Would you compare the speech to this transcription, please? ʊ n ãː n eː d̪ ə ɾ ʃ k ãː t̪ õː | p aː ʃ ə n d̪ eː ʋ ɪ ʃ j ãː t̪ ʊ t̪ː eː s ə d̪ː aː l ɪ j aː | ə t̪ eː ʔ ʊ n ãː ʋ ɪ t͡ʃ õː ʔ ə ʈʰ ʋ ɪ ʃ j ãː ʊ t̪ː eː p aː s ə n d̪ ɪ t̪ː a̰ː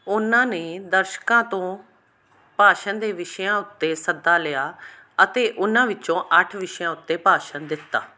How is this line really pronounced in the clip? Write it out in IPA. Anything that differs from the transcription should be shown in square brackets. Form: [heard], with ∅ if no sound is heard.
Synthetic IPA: ʊ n ãː n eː d̪ ə ɾ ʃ k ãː t̪ õː | p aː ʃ ə n d̪ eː ʋ ɪ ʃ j ãː [∅] ʊ t̪ː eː s ə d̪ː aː l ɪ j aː | ə t̪ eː ʔ ʊ n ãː ʋ ɪ t͡ʃ õː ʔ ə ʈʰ ʋ ɪ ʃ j ãː ʊ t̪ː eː p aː [ʃ] ə n d̪ ɪ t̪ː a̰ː

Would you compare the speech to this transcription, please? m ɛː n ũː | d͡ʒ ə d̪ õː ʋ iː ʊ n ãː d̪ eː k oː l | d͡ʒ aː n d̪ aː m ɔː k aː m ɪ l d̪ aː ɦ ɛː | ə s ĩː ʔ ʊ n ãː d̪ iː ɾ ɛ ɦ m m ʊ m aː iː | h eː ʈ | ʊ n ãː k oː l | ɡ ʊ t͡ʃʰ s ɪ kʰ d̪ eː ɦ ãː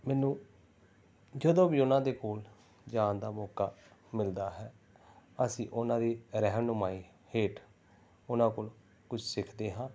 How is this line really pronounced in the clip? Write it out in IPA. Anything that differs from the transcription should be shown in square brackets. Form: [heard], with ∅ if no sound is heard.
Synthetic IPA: m ɛː n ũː | d͡ʒ ə d̪ õː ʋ iː ʊ n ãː d̪ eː k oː l | d͡ʒ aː n d̪ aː m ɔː k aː m ɪ l d̪ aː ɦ ɛː | ə s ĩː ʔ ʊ n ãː d̪ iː ɾ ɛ ɦ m [n] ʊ m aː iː | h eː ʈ | ʊ n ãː k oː l | [k] ʊ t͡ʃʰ s ɪ kʰ d̪ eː ɦ ãː

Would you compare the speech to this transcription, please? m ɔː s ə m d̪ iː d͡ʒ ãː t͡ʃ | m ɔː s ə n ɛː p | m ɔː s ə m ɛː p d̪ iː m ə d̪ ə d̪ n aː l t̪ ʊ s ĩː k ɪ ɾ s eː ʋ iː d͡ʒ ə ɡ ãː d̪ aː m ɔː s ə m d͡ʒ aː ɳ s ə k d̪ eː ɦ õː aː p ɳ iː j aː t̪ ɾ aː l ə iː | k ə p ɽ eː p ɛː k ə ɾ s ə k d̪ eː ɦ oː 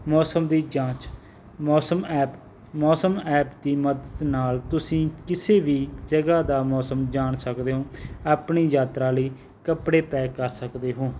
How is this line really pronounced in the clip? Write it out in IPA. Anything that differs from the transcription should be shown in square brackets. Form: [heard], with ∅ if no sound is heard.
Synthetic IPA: m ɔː s ə m d̪ iː d͡ʒ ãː t͡ʃ | m ɔː s ə [m] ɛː p | m ɔː s ə m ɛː p d̪ iː m ə d̪ ə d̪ n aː l t̪ ʊ s ĩː k ɪ [∅] s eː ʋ iː d͡ʒ ə ɡ [aː] d̪ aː m ɔː s ə m d͡ʒ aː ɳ s ə k d̪ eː ɦ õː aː p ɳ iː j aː t̪ ɾ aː l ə iː | k ə p ɽ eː p ɛː k ə ɾ s ə k d̪ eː ɦ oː

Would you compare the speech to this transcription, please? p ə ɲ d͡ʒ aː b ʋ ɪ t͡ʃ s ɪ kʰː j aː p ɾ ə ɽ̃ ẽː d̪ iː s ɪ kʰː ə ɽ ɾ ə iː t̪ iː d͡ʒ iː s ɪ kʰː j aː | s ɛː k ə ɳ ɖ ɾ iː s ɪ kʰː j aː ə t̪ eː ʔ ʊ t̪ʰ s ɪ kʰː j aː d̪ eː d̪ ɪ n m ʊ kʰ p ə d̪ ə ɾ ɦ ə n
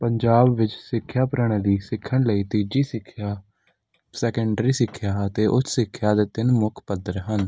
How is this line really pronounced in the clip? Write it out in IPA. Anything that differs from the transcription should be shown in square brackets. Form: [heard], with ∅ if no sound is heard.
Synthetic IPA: p ə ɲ d͡ʒ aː b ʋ ɪ t͡ʃ s ɪ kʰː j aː p ɾ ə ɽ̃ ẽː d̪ iː s ɪ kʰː ə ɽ [l] ə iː t̪ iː d͡ʒ iː s ɪ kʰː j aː | s ɛː k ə ɳ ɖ ɾ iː s ɪ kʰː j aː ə t̪ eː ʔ ʊ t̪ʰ s ɪ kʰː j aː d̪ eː [t̪] ɪ n m ʊ kʰ p ə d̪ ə ɾ ɦ ə n

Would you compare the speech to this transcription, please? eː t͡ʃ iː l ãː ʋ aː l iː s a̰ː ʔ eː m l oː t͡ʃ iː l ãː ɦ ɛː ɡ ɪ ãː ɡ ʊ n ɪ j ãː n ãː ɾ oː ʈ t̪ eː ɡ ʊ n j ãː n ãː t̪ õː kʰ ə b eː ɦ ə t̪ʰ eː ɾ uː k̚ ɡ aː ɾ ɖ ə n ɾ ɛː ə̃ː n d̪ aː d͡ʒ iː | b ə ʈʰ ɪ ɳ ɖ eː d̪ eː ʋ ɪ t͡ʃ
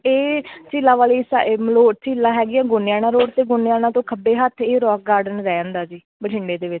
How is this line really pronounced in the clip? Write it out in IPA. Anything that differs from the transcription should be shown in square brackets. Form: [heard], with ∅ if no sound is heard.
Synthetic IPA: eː t͡ʃ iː l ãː ʋ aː l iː s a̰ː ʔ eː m l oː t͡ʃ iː l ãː ɦ ɛː ɡ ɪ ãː ɡ ʊ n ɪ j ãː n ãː ɾ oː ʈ t̪ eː ɡ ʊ n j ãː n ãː t̪ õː kʰ ə b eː ɦ ə t̪ʰ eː ɾ [ɔː] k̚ ɡ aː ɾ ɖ ə n ɾ ɛː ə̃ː n d̪ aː d͡ʒ iː | b ə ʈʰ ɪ ɳ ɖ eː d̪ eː ʋ ɪ t͡ʃ

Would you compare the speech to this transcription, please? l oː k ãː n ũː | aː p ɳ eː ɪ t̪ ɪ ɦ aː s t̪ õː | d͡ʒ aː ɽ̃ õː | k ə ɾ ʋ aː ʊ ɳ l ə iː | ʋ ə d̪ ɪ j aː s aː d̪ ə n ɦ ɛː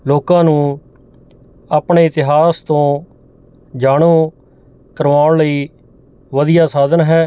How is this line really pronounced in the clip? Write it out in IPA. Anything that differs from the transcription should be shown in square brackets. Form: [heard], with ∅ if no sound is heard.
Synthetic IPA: l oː k ãː n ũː | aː p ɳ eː ɪ t̪ ɪ ɦ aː s t̪ õː | d͡ʒ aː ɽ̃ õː | k ə ɾ ʋ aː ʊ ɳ l ə iː | ʋ ə d̪ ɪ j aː s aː d̪ ə n ɦ ɛː

